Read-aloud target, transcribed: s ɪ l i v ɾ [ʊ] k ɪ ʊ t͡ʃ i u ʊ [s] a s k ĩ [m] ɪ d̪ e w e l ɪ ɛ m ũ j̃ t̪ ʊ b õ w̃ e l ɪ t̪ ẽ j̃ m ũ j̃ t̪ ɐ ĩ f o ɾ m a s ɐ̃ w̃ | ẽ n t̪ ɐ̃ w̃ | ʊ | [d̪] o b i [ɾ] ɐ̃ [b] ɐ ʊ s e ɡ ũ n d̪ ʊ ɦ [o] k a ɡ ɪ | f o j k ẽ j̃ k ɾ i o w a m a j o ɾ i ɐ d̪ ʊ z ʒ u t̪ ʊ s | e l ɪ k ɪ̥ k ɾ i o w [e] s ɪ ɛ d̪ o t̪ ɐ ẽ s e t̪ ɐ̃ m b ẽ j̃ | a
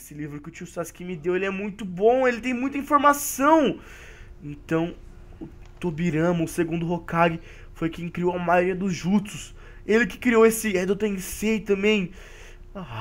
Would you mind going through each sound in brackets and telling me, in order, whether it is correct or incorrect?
correct, correct, correct, incorrect, correct, incorrect, correct, correct

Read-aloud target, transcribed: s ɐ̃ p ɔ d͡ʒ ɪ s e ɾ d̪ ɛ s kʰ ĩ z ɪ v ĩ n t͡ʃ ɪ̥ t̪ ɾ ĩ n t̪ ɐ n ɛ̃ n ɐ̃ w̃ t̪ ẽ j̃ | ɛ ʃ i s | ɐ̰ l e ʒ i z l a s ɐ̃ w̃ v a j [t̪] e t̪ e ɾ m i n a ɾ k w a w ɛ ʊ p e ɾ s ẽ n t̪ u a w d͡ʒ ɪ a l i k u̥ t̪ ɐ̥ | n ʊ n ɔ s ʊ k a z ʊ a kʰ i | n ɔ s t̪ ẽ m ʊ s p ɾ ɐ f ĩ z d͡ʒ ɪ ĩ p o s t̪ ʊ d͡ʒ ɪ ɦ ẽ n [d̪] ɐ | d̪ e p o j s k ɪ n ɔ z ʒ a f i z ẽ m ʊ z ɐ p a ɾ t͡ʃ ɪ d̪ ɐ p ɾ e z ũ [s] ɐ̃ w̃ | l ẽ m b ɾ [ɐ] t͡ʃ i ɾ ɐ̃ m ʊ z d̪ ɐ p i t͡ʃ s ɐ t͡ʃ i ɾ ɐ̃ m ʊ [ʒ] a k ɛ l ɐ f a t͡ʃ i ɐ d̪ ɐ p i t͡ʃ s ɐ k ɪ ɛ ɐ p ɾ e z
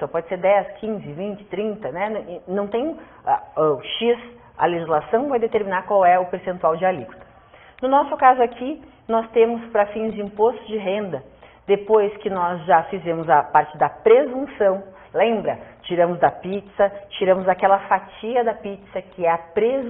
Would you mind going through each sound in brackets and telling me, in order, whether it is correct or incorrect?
incorrect, correct, correct, correct, incorrect

